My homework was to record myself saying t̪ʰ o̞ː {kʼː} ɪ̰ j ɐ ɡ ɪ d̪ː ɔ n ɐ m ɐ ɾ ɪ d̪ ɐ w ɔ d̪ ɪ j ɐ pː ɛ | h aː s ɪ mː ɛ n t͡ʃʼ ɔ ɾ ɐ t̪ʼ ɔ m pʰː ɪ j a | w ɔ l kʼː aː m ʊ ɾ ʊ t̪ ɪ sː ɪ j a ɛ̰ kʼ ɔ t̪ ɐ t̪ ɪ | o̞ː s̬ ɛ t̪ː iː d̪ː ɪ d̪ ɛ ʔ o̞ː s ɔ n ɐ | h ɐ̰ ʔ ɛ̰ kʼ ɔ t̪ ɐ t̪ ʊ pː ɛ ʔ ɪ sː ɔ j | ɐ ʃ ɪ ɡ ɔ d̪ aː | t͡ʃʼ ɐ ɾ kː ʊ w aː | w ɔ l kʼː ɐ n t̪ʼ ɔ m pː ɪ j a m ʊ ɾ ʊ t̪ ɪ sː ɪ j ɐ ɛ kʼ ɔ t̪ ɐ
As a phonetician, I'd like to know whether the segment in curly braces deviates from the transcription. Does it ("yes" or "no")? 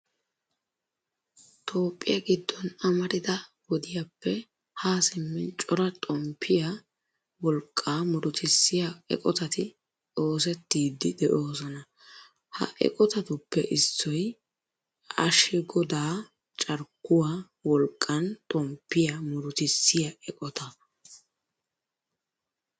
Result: yes